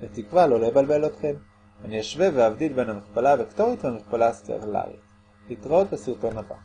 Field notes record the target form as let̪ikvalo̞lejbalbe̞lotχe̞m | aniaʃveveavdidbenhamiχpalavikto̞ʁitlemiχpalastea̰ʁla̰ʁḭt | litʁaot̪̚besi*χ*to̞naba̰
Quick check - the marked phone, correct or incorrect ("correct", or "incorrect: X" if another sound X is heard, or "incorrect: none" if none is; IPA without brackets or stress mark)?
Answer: incorrect: ʁ